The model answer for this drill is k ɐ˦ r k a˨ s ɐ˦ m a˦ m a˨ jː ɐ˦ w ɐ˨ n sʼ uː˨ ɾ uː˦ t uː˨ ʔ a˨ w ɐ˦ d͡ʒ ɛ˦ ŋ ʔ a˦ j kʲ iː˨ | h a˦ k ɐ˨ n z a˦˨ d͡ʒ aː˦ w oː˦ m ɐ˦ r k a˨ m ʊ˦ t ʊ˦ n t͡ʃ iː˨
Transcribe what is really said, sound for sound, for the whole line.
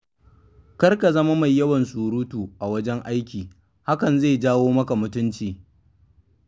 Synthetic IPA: k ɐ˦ r k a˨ z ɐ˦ m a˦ m a˨ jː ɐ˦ w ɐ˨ n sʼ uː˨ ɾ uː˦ t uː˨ ʔ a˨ w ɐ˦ d͡ʒ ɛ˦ ŋ ʔ a˦ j kʲ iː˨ | h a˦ k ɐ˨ n z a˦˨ d͡ʒ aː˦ w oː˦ m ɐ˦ k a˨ m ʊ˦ t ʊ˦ n t͡ʃ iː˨

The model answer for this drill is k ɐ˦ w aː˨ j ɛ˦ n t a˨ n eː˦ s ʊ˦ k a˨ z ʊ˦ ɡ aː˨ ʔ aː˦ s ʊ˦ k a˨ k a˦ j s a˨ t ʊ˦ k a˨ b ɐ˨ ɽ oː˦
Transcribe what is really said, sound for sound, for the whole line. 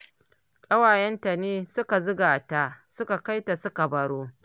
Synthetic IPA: kʼ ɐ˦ w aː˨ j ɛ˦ n t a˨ n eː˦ s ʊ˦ k a˨ z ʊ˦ ɡ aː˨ t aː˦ s ʊ˦ k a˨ k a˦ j t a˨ s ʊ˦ k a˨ b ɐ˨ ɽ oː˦

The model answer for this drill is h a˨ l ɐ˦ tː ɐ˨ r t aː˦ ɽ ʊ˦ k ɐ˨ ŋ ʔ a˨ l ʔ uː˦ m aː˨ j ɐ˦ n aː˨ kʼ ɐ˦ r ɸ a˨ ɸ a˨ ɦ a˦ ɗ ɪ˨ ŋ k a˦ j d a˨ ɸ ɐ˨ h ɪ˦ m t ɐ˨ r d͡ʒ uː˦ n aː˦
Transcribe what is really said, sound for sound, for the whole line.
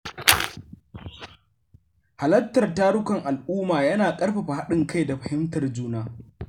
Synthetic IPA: h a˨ l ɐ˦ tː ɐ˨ r t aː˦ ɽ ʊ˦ k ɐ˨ ŋ ʔ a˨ l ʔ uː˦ m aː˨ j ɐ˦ n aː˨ kʼ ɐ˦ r ɸ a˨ ɸ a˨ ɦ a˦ ɗ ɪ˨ ŋ k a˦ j d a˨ ɸ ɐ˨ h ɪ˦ m t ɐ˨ r d͡ʒ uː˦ n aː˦

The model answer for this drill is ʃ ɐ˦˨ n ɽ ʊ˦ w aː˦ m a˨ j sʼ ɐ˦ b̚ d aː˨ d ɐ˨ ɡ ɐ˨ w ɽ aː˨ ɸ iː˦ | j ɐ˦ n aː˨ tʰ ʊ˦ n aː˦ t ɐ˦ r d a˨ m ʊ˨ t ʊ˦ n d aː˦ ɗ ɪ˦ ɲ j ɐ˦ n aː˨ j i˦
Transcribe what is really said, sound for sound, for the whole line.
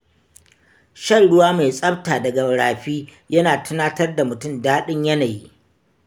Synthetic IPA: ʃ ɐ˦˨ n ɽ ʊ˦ w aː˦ m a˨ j sʼ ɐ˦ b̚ t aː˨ d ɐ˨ ɡ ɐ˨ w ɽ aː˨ ɸ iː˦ | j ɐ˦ n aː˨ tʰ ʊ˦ n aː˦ t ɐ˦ r d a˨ m ʊ˨ t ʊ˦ m d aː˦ ɗ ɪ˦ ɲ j ɐ˦ n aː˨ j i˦

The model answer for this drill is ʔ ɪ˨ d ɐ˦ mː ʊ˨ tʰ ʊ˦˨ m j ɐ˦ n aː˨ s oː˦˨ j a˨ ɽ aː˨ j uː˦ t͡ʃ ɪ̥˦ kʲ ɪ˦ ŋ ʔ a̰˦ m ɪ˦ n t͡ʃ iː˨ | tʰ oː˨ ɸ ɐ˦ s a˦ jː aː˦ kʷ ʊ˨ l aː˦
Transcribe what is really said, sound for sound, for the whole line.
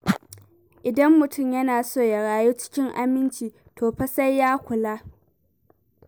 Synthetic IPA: ʔ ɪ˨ d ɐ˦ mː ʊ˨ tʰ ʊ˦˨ m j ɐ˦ n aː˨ s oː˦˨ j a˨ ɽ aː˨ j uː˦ t͡ʃ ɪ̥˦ kʲ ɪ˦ ŋ ʔ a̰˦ m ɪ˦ n t͡ʃ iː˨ | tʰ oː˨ ɸ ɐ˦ s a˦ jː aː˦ kʷ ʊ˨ l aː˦

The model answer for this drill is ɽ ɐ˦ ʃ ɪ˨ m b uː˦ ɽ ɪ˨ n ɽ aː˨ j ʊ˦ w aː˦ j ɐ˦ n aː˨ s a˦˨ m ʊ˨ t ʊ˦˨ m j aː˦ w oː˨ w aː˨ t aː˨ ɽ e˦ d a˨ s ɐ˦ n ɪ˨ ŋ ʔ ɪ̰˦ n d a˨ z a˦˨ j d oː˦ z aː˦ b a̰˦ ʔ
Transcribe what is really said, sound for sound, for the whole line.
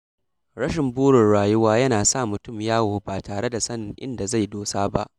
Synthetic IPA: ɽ ɐ˦ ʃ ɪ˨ m b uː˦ ɽ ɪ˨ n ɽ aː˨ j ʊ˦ w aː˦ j ɐ˦ n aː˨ s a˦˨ m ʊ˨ t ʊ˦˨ m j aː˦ w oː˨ b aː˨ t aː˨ ɽ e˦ d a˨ s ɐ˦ n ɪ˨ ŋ ʔ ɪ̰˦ n d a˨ z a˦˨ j d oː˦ s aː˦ b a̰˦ ʔ

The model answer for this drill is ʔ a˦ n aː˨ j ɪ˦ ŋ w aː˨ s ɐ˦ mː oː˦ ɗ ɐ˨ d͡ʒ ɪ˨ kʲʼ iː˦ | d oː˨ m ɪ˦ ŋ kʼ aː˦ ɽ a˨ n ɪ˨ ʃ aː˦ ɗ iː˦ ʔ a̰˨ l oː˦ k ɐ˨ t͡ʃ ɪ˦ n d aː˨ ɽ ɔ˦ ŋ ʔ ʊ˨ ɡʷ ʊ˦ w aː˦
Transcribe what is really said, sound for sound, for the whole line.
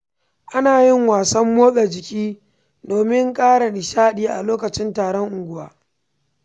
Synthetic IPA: ʔ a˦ n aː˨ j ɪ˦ ŋ w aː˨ s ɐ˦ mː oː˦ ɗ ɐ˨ d͡ʒ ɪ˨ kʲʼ iː˦ | d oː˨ m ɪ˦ ŋ kʼ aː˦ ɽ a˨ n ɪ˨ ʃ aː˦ ɗ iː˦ ʔ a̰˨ l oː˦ k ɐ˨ t͡ʃ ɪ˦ n t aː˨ ɽ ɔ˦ ŋ ʔ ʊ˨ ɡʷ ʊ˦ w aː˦

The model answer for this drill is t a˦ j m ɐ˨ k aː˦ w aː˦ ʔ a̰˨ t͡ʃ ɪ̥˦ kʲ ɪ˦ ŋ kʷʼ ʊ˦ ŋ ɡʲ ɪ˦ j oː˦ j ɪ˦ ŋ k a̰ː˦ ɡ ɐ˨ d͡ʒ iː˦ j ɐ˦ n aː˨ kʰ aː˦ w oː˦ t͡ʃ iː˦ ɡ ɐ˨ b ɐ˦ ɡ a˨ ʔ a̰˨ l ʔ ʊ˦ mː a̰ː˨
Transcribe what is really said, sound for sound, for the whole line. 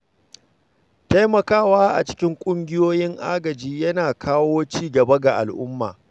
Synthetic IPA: t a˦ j m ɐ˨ k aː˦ w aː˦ ʔ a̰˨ t͡ʃ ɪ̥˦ kʲ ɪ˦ ŋ kʷʼ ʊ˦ ŋ ɡʲ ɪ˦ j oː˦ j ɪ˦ ŋ ʔ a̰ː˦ ɡ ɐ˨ d͡ʒ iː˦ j ɐ˦ n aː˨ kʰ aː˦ w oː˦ t͡ʃ iː˦ ɡ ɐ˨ b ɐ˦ ɡ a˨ ʔ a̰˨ l ʔ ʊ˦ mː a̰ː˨

